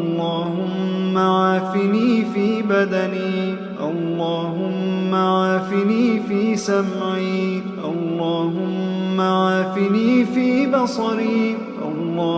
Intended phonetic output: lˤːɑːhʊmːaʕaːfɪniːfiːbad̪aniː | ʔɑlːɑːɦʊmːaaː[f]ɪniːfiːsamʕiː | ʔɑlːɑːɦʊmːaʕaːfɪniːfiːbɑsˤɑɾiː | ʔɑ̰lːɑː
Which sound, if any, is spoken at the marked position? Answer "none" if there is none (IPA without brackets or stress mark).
f